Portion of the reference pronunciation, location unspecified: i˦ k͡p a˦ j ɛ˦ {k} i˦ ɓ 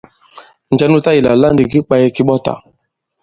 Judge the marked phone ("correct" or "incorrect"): correct